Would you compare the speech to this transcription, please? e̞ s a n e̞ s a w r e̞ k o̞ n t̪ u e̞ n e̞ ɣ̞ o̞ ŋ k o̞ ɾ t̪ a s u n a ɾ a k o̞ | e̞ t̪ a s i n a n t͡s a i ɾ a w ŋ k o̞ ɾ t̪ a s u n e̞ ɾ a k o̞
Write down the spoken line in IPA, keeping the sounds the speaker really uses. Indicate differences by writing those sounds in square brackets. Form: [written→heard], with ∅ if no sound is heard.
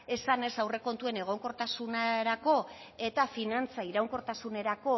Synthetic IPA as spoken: e̞ s a n e̞ s a w r e̞ k o̞ n t̪ u e̞ n e̞ ɣ̞ o̞ ŋ k o̞ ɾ t̪ a s u n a ɾ a k o̞ | e̞ t̪ a [s→f] i n a n t͡s a i ɾ a w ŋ k o̞ ɾ t̪ a s u n e̞ ɾ a k o̞